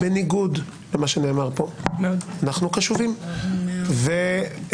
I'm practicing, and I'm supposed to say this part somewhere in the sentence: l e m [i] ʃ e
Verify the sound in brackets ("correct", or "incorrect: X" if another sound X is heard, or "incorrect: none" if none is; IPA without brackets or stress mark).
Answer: incorrect: a